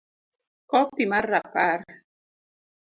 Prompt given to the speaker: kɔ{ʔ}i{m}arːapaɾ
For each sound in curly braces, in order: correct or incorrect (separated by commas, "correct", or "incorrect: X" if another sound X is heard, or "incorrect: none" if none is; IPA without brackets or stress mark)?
incorrect: p, correct